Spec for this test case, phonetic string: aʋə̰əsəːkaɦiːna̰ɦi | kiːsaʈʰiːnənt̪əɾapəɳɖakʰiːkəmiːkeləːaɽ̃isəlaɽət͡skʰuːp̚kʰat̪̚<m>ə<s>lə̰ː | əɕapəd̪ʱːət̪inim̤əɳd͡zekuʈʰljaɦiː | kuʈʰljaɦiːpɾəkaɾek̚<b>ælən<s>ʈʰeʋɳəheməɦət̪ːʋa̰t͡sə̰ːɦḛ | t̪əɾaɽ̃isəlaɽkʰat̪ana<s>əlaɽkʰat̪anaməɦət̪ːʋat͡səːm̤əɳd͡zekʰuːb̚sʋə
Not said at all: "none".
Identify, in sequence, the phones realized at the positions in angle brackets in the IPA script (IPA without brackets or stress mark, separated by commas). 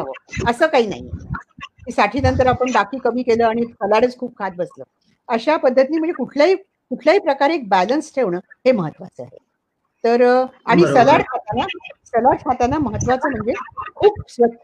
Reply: b, s, b, s, s